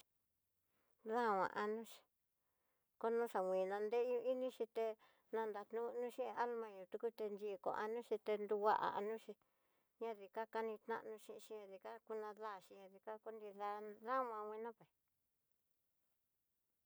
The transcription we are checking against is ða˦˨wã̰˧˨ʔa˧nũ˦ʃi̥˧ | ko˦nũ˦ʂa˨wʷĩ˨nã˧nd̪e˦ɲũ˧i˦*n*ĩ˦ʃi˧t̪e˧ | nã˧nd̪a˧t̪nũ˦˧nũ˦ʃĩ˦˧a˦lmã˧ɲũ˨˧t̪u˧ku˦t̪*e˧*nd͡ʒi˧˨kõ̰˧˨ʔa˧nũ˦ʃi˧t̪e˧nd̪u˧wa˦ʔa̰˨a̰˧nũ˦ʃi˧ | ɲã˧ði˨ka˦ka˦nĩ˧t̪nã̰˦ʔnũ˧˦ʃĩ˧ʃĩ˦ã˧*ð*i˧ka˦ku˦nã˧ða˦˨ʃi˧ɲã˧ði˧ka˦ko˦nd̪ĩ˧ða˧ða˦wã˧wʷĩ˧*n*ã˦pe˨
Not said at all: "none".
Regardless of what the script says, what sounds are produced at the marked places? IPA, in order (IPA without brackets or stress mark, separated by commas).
n, e˧, ð, n